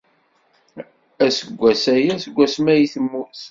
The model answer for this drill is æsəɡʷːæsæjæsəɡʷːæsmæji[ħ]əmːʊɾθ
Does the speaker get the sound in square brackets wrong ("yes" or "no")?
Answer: yes